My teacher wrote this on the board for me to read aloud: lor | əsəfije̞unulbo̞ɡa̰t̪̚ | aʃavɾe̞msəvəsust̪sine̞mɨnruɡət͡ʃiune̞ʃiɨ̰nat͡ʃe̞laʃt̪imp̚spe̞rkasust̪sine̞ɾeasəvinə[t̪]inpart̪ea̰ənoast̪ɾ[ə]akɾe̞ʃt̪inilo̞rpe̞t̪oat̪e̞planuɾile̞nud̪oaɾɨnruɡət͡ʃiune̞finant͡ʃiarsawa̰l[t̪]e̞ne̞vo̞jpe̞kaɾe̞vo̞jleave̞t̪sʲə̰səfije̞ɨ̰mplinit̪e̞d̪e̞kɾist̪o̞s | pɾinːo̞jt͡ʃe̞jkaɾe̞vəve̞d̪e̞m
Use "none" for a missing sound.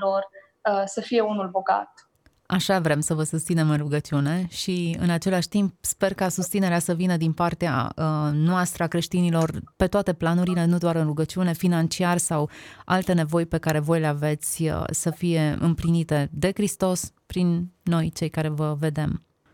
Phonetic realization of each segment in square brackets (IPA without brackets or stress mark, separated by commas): d̪, ə, t̪